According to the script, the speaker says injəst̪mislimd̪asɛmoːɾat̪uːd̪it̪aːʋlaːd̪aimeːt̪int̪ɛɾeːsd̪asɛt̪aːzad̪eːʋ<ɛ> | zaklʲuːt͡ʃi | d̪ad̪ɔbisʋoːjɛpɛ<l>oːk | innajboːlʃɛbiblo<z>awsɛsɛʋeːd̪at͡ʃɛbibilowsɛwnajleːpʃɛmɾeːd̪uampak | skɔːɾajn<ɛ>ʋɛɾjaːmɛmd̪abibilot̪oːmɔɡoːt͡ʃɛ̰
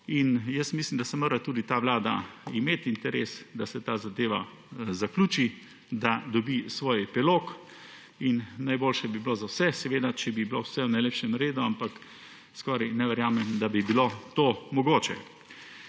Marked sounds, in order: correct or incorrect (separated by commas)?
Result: incorrect, correct, correct, correct